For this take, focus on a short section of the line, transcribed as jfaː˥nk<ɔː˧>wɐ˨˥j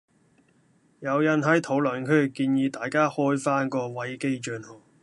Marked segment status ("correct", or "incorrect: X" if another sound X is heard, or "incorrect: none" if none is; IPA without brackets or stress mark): correct